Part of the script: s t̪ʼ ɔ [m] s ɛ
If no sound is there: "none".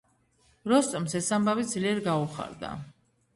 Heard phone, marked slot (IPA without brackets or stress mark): m